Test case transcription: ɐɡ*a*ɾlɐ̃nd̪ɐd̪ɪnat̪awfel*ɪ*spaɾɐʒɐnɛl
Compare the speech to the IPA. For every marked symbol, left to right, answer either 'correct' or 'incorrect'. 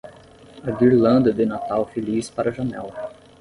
incorrect: i, incorrect: i

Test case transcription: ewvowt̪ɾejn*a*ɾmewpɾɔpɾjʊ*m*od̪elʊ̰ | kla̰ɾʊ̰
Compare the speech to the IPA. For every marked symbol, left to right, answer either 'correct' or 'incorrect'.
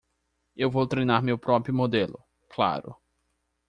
correct, correct

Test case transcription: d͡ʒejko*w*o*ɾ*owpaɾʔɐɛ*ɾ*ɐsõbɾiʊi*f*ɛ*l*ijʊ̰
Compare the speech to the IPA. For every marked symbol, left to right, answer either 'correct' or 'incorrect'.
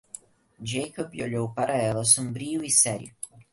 incorrect: b, incorrect: ʎ, incorrect: l, incorrect: s, incorrect: ɾ

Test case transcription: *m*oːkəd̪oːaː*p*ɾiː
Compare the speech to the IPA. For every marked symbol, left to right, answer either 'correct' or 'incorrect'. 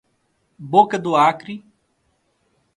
incorrect: b, incorrect: k

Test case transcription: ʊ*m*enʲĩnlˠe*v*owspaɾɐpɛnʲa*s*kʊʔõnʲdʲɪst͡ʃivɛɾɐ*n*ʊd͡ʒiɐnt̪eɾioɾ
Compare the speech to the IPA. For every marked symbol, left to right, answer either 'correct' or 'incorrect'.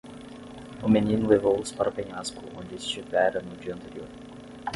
correct, correct, correct, correct

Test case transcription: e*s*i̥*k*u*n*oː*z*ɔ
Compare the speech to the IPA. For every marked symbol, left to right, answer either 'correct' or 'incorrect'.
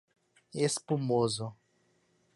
correct, incorrect: p, incorrect: m, correct

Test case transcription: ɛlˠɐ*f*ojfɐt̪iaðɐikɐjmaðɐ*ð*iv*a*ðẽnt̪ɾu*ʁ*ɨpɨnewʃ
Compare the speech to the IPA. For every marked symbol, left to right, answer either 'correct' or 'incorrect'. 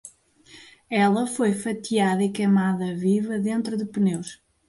correct, incorrect: v, incorrect: ɐ, incorrect: ð

